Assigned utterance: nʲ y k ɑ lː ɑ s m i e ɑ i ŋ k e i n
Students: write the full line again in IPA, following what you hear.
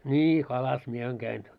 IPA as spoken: nʲ i k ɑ l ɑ s m i e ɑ i ŋ k æ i n